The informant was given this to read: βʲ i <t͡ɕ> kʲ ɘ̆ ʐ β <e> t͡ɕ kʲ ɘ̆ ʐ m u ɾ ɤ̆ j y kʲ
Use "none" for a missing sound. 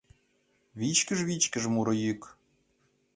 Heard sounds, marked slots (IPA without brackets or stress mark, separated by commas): t͡ɕ, i